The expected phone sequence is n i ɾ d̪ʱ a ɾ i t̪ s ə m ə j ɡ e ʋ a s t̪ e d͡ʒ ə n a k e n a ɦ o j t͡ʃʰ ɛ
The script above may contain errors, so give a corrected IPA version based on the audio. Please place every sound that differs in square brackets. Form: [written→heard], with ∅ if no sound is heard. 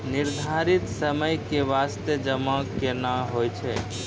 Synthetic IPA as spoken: n i ɾ d̪ʱ a ɾ i t̪ s ə m ə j [ɡ→k] e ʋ a s t̪ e d͡ʒ ə [n→m] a k e n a ɦ o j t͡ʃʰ ɛ